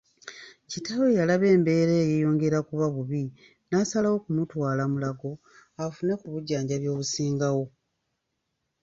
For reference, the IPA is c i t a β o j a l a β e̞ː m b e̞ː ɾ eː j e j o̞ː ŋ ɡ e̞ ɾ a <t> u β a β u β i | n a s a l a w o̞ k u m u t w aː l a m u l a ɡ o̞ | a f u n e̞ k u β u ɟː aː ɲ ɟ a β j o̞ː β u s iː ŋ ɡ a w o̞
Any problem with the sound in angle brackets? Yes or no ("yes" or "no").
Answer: yes